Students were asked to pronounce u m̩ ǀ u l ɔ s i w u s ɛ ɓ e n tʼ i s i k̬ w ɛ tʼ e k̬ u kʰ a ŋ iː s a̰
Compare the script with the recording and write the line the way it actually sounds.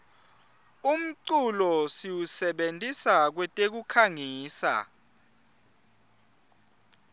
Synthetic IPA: u m̩ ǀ u l ɔ s i w u s ɛ ɓ e n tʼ i s a k̬ w ɛ tʼ e k̬ u kʰ a ŋ iː s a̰